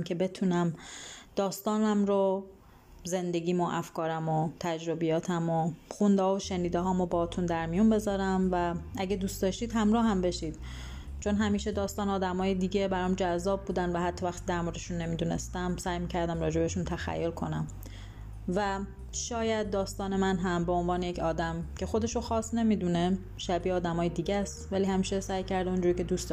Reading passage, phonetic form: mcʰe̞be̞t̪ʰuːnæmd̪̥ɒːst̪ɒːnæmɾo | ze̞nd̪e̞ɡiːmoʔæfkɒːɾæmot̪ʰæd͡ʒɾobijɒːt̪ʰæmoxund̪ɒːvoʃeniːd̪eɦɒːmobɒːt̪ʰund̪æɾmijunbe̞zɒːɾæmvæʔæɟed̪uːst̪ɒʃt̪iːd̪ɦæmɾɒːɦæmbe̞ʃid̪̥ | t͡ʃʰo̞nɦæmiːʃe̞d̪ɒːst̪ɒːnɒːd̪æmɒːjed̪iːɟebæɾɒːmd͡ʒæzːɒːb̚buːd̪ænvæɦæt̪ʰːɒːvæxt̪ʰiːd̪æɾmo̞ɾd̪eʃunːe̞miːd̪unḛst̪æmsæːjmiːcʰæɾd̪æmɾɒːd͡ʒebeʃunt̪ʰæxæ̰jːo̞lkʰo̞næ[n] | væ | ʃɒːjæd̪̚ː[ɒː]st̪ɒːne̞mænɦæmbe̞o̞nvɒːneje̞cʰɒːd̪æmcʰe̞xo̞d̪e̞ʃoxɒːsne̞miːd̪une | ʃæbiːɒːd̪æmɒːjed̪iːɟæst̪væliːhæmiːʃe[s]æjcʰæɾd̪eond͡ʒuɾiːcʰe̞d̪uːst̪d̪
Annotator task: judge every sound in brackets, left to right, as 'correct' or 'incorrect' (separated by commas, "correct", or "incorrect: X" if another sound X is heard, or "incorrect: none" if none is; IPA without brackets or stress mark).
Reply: incorrect: m, correct, correct